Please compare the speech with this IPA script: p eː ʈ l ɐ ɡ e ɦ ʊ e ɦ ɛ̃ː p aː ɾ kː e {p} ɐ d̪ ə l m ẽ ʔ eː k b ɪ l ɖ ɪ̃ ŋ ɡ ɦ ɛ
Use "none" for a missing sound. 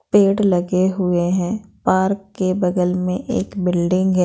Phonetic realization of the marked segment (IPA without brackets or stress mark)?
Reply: b